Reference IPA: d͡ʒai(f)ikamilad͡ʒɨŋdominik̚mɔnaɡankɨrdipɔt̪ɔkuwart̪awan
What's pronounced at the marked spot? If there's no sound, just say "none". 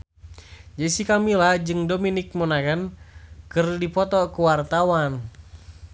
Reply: s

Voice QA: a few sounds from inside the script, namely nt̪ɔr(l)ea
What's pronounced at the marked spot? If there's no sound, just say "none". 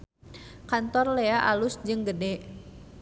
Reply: l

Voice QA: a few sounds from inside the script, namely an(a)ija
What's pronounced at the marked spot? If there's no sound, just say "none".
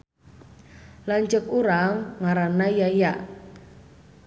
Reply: a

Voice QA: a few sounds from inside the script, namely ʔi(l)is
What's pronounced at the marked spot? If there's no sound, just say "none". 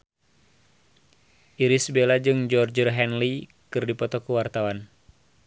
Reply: ɾ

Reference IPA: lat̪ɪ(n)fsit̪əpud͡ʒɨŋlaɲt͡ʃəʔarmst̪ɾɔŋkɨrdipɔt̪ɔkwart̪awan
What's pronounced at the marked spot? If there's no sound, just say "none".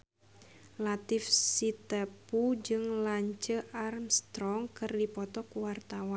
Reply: none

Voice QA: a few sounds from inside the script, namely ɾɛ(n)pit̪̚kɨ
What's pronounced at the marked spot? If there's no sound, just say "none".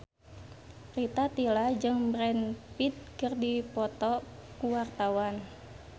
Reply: n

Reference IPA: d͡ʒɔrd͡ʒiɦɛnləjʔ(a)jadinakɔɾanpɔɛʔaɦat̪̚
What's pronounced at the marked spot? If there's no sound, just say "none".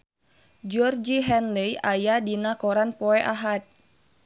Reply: a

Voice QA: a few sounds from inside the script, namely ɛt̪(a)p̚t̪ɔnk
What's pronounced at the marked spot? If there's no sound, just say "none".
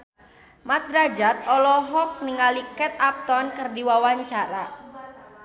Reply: a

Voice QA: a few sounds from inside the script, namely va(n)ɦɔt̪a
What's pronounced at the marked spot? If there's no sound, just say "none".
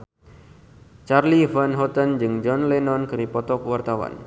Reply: n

